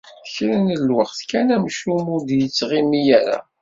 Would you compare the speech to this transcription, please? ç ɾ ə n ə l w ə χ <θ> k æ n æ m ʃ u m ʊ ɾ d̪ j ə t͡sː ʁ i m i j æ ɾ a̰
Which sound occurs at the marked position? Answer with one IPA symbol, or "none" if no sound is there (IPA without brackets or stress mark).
θ